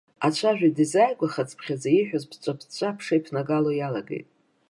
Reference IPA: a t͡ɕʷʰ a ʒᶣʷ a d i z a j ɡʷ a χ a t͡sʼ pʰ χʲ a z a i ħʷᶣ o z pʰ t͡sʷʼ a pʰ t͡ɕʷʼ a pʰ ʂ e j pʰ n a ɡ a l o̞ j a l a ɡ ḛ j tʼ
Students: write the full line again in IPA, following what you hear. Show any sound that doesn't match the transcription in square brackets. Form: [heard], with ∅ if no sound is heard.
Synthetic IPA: a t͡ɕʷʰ a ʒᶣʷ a d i z a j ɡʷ a χ a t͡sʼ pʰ χʲ a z a i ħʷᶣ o z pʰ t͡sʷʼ a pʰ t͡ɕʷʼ a pʰ ʂ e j pʰ n a ɡ a l o̞ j a l a ɡ ḛ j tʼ